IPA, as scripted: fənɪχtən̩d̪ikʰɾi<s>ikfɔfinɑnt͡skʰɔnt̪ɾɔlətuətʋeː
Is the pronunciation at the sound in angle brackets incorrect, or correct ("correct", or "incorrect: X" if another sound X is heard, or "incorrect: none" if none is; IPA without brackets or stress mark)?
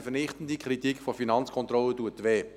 incorrect: t